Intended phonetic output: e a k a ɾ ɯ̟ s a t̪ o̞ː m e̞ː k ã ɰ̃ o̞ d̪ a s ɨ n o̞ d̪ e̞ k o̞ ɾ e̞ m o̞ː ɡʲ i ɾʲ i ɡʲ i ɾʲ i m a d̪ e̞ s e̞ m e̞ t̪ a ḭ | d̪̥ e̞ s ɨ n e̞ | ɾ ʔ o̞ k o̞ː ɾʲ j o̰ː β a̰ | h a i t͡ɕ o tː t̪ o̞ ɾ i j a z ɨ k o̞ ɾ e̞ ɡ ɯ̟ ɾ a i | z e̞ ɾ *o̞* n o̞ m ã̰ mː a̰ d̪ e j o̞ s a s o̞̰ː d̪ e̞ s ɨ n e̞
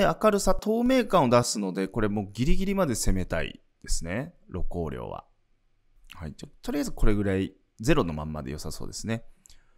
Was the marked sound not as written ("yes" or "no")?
no